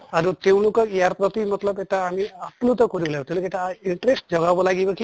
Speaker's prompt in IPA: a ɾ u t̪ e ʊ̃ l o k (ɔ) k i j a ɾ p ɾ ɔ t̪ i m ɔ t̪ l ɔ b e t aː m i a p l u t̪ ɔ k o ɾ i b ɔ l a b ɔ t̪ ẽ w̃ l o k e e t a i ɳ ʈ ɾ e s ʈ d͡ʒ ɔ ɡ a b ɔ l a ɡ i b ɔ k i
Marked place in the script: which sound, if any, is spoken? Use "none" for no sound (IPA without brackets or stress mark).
ɔ